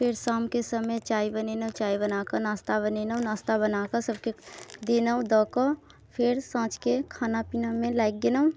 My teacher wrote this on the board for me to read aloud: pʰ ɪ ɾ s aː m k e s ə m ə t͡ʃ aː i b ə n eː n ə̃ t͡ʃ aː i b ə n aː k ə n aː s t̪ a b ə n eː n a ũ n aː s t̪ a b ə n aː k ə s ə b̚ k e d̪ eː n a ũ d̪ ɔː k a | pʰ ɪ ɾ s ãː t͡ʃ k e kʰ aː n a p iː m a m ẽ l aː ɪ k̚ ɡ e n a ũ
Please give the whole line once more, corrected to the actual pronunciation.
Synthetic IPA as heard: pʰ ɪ ɾ s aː m k e s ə m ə t͡ʃ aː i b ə n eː n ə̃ t͡ʃ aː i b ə n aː k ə n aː s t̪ a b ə n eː n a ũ n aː s t̪ a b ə n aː k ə s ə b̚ k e d̪ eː n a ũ d̪ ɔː k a | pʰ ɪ ɾ s ãː t͡ʃ k e kʰ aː n a p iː n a m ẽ l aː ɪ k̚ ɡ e n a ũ